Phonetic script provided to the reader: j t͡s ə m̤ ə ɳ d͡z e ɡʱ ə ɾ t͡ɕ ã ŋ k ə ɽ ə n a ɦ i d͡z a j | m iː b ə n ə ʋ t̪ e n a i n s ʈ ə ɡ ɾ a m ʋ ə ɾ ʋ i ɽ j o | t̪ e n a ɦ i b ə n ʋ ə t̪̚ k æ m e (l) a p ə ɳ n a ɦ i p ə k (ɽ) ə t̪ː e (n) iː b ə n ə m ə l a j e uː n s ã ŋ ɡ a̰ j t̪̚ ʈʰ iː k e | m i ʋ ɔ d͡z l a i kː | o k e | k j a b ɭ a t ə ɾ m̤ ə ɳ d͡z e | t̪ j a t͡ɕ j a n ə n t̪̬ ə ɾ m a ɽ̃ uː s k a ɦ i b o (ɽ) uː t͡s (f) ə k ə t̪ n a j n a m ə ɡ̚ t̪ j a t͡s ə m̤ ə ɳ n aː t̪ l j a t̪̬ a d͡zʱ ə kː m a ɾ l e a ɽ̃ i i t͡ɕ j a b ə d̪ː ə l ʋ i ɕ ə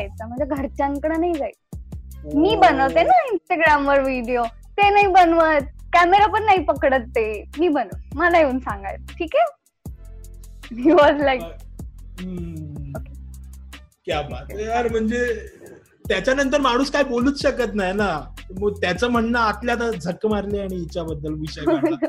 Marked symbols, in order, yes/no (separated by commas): no, yes, no, no, no